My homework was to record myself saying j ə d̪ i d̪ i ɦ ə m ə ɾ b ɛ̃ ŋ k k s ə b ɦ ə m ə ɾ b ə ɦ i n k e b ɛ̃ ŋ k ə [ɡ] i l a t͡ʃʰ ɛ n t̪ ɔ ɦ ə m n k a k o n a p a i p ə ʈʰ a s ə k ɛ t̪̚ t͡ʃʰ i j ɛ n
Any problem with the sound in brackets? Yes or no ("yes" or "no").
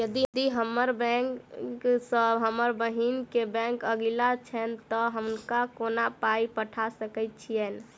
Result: no